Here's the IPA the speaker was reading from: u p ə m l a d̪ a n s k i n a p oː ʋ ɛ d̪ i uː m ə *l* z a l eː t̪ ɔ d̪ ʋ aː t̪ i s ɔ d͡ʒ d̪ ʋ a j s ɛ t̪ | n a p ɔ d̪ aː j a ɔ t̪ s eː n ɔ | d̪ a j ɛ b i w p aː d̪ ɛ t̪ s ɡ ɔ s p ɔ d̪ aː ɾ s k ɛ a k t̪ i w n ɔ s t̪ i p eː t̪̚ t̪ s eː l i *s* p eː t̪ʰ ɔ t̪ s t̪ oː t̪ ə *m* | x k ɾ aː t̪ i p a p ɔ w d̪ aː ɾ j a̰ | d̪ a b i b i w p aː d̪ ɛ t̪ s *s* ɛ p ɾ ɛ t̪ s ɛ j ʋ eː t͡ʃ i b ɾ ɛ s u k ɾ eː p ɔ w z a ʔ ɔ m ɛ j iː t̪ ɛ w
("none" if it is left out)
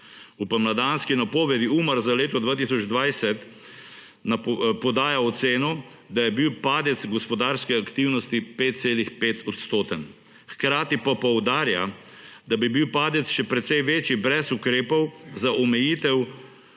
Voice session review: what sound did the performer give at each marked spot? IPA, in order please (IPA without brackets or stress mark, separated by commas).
ɾ, x, n, ʃ